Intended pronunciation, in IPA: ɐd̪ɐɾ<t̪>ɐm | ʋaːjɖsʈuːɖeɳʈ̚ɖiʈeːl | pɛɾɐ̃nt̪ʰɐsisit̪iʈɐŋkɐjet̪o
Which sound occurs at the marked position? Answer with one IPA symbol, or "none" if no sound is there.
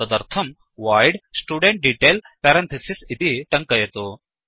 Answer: t̪ʰ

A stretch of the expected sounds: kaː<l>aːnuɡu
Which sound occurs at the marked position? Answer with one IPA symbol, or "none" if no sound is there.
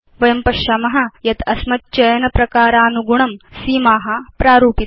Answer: ɾ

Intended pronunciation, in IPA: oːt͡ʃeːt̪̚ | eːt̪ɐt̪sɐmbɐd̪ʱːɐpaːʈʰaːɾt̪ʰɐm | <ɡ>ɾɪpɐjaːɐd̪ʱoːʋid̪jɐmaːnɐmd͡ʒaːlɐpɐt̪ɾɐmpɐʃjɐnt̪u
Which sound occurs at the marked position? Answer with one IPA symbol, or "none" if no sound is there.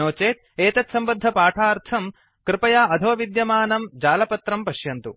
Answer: k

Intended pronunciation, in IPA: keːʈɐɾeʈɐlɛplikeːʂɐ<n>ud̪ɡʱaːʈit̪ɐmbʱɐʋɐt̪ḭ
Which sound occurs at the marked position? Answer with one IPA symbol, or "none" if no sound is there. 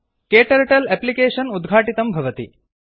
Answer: n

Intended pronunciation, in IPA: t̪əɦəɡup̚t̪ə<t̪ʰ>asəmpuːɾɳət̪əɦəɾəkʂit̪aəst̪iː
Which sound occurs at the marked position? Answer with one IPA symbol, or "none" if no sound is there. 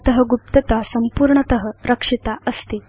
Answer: t̪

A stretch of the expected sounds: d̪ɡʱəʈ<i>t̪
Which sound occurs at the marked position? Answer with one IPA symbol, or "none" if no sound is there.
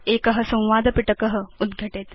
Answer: e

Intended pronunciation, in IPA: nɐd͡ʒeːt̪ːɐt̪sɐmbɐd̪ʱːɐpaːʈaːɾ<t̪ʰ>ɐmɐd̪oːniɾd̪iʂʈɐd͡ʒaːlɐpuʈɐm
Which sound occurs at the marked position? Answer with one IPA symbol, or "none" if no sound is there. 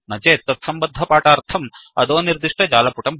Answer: t̪ʰ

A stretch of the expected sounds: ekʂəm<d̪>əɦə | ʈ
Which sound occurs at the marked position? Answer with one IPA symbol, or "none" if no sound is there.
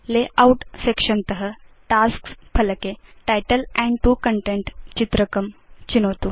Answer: t̪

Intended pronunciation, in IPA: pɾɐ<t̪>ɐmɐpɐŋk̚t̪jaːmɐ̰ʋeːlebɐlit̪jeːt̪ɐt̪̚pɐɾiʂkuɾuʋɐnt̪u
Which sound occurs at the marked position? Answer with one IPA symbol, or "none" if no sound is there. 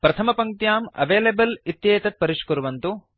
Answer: t̪ʰ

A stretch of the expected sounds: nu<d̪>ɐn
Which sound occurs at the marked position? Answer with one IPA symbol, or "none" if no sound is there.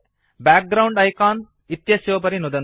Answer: d̪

